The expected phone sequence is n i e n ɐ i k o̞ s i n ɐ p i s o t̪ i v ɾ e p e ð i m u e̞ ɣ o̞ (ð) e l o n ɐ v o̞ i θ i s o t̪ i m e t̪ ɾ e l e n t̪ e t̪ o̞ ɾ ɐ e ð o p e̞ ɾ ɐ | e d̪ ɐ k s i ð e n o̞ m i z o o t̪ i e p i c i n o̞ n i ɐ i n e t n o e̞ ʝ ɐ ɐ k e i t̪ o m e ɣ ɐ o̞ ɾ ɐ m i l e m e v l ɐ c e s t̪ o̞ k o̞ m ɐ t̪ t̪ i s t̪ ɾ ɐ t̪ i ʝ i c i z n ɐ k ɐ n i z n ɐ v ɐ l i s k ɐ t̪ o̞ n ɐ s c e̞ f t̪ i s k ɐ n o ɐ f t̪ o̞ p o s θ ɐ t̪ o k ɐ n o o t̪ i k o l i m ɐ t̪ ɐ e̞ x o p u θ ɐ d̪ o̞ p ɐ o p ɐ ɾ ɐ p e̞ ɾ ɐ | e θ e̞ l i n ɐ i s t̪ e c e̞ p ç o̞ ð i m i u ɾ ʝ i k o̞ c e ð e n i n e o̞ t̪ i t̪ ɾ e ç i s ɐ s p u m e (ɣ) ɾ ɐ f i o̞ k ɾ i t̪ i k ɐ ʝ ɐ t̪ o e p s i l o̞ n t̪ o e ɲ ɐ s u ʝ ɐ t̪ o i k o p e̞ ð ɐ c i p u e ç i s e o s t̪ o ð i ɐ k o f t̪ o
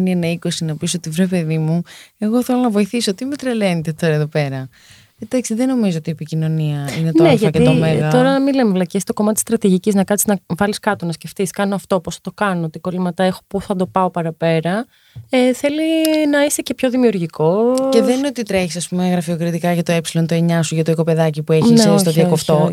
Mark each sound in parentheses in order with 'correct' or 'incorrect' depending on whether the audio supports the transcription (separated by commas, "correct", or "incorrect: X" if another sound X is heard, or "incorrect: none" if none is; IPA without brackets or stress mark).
incorrect: θ, correct